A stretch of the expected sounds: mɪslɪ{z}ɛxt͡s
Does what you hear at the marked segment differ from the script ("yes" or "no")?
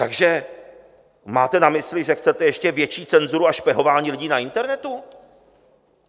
yes